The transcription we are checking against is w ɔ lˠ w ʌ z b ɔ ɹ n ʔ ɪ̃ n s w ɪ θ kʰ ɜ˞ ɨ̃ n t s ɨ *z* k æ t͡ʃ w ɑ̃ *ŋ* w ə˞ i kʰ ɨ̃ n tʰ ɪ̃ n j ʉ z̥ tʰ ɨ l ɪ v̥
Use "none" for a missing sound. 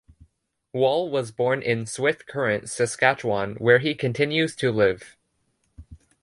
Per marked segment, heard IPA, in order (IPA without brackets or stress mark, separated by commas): s, n